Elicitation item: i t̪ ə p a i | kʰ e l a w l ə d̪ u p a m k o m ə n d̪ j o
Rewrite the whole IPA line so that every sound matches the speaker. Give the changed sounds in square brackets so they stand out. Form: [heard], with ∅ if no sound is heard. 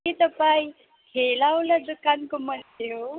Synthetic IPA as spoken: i t̪ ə p a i | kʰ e l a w l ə d̪ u [k] a [n] k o m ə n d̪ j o